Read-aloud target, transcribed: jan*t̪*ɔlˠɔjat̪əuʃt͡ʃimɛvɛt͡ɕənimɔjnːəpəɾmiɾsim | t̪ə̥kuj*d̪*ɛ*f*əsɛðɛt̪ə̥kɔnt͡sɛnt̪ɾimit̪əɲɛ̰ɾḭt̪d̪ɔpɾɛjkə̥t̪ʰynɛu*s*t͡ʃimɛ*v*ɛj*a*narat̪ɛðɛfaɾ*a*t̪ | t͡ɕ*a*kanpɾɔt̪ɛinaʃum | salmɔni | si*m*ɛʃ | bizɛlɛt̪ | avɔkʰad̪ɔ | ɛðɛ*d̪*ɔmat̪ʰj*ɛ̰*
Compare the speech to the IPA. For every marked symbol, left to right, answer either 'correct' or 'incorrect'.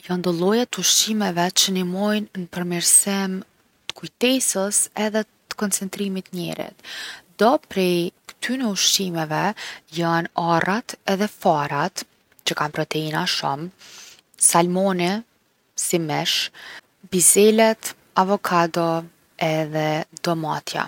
incorrect: d̪, incorrect: t̪, incorrect: s, incorrect: ʃ, correct, correct, correct, incorrect: ə, correct, correct, incorrect: a̰

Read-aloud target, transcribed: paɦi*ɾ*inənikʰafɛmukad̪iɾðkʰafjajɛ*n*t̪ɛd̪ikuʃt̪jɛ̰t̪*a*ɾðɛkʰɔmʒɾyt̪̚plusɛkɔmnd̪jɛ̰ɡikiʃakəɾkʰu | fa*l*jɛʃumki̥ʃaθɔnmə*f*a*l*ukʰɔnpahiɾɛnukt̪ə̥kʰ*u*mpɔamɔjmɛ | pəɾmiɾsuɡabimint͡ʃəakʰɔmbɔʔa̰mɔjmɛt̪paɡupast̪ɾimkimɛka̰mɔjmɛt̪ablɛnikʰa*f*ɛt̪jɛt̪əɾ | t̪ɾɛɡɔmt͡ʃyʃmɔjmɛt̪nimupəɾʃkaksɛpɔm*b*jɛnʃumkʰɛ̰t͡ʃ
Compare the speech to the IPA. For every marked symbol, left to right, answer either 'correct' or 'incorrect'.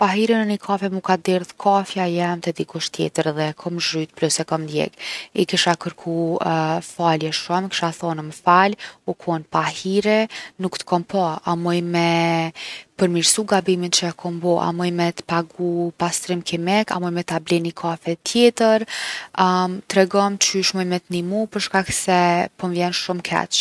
correct, incorrect: m, incorrect: ə, correct, correct, correct, incorrect: ɔ, correct, incorrect: v

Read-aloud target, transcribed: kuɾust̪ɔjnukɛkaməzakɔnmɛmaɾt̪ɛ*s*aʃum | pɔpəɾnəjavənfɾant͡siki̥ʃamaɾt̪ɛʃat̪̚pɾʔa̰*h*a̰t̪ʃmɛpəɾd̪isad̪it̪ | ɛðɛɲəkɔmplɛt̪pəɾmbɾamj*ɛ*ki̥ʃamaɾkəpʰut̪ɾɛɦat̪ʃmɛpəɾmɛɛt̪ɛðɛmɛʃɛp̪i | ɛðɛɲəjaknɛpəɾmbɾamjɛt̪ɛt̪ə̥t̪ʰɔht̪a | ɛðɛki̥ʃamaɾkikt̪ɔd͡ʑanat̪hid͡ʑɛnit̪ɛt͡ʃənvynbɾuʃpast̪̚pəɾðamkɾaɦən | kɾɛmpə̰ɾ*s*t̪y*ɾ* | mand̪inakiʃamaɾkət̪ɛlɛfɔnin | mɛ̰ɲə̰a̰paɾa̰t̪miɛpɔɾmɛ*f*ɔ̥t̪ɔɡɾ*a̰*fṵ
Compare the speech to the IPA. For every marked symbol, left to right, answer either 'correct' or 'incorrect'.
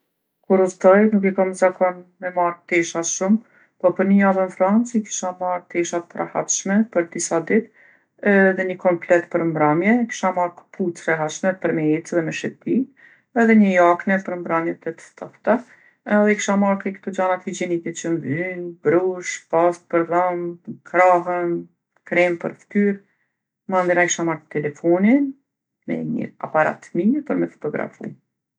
incorrect: ʃ, correct, correct, incorrect: f, correct, correct, correct

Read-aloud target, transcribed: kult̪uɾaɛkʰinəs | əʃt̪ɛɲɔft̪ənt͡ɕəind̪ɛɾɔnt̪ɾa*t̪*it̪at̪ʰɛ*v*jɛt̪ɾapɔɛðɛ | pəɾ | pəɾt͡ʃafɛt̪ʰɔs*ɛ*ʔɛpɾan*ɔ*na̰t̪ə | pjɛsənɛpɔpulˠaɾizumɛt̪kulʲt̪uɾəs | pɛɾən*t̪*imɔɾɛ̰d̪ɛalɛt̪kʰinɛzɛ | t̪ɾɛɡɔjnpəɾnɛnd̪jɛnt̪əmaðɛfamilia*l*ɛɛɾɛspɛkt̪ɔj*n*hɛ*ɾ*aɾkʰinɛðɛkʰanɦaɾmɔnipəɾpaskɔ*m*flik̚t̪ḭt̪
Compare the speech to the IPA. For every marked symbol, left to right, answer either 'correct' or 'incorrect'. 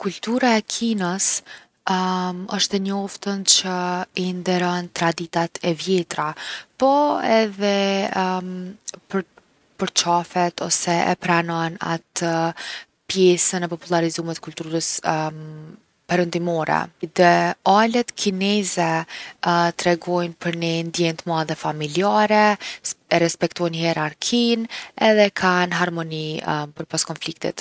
incorrect: d̪, correct, correct, correct, incorrect: d̪, incorrect: ɾ, correct, correct, incorrect: n

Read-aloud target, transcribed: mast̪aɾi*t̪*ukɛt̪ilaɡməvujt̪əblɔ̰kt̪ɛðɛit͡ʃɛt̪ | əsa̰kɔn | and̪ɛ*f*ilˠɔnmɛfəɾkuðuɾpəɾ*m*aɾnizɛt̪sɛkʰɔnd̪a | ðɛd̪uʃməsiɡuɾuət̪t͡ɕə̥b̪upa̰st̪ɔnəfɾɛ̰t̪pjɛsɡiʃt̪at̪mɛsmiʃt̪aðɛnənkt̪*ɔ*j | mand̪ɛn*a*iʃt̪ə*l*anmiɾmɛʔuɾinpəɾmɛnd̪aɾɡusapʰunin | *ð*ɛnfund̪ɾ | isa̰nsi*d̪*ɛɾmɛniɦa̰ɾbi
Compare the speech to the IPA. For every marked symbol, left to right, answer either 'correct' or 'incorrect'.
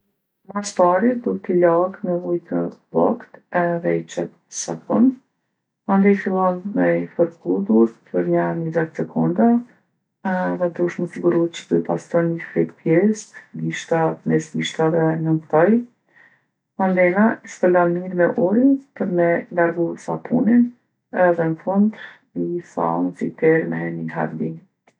incorrect: d̪, correct, incorrect: ɲ, correct, correct, correct, correct, incorrect: t̪

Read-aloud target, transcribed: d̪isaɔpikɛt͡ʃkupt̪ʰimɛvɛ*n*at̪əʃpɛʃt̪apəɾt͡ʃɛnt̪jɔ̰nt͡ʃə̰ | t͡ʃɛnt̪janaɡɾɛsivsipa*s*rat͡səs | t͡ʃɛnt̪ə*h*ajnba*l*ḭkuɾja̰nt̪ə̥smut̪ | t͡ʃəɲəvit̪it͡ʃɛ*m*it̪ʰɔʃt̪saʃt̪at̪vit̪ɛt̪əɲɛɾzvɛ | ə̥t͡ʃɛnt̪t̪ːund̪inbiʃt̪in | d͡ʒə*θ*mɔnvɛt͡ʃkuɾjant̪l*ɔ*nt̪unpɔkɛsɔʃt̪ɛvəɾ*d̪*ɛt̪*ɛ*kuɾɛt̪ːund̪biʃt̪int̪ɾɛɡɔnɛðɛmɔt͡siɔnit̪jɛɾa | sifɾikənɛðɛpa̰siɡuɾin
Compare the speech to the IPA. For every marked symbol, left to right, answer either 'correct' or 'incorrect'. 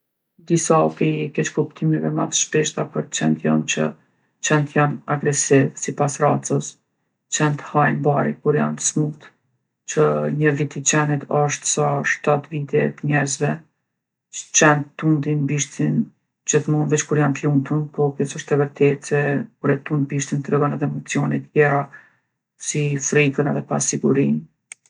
incorrect: m, correct, correct, incorrect: ɾ, incorrect: n, correct, incorrect: u, incorrect: t̪, correct

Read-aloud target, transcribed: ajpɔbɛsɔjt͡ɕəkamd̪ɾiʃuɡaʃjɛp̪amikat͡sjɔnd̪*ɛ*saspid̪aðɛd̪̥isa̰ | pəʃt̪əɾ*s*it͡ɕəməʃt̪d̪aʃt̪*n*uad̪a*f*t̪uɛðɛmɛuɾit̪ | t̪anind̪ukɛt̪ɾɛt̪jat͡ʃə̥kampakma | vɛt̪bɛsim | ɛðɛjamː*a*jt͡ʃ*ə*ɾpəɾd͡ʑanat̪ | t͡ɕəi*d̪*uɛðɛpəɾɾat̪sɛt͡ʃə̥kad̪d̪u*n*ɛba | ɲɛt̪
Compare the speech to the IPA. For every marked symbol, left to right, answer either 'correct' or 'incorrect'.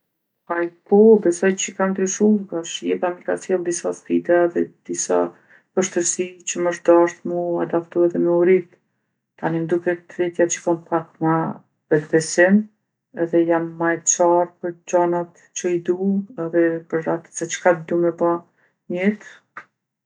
incorrect: i, correct, incorrect: m, correct, correct, incorrect: a, correct, incorrect: m

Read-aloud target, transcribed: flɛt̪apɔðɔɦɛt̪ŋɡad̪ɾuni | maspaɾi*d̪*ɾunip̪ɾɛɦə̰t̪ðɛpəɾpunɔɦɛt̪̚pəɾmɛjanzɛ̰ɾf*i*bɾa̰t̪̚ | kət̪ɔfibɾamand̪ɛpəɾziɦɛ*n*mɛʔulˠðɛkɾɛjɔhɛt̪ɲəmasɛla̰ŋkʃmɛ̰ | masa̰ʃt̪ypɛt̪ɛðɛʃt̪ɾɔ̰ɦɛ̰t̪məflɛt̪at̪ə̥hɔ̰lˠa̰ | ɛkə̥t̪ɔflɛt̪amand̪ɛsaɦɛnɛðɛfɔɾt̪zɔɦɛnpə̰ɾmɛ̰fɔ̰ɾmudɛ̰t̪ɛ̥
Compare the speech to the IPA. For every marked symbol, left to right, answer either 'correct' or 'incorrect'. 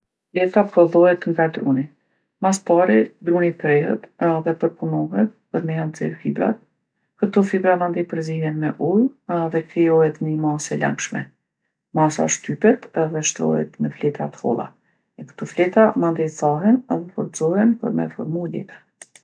correct, correct, correct

